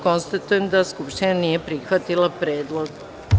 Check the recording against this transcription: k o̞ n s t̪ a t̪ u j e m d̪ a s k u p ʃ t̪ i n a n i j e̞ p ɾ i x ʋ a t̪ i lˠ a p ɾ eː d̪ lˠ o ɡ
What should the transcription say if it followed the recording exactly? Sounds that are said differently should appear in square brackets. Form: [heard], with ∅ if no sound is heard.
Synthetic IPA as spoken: k o̞ n s t̪ a t̪ u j e m d̪ a s k u p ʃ t̪ i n a n i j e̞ p ɾ i x ʋ a t̪ i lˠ a p ɾ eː d̪ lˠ o ɡ